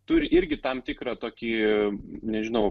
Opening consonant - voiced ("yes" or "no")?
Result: no